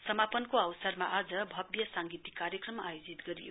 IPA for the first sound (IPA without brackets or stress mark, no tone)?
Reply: s